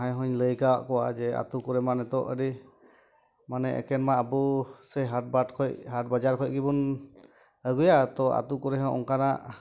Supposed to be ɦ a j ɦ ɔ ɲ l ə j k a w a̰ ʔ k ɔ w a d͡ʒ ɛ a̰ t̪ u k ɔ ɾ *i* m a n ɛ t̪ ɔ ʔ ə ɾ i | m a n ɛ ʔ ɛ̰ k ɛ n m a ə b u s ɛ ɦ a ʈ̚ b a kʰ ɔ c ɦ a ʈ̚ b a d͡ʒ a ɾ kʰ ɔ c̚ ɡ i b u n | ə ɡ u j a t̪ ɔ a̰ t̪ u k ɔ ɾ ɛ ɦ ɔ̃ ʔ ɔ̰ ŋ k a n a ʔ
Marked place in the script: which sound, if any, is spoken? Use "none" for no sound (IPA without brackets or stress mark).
ɛ